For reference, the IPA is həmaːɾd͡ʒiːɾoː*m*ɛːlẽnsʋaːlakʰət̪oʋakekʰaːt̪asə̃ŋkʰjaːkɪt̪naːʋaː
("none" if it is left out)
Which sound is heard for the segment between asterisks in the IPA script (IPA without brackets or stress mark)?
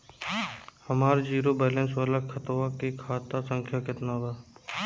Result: b